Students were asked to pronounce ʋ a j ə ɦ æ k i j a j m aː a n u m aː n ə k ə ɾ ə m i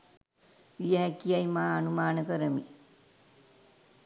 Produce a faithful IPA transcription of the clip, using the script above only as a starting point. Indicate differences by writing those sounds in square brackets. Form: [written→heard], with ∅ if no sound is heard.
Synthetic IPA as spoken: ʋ [a→i] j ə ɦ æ k i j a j m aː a n u m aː n ə k ə ɾ ə m i